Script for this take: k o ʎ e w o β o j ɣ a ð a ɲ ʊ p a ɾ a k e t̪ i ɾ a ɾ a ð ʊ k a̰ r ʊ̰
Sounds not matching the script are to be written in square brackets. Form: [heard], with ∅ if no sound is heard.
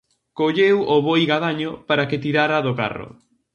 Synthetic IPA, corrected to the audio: k o ʎ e w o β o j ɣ a ð a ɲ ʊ p a ɾ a k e t̪ i ɾ a ɾ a ð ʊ k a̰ r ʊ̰